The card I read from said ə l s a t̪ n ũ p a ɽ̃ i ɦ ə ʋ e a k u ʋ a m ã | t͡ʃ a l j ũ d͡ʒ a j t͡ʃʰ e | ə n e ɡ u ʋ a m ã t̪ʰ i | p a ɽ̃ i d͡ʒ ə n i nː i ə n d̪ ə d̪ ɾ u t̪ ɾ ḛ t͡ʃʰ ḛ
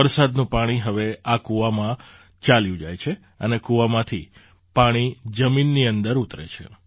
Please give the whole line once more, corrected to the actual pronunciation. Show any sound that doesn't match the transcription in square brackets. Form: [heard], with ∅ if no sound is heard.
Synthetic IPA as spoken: ə [ɾ] s a [d̪] n ũ p a ɽ̃ i ɦ ə ʋ e a k u ʋ a m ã | t͡ʃ a l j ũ d͡ʒ a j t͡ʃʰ e | ə n e [k] u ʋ a m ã t̪ʰ i | p a ɽ̃ i d͡ʒ ə [m] i nː i ə n d̪ ə [∅] ɾ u t̪ ɾ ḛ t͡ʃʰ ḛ